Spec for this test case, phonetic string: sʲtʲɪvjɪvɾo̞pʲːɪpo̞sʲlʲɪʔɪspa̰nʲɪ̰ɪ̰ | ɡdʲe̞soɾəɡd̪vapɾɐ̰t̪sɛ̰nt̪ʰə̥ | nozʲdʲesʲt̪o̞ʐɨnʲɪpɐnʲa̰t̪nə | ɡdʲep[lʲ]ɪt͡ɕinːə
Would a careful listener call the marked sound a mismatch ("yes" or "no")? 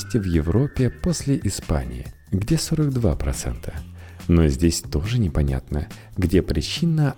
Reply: yes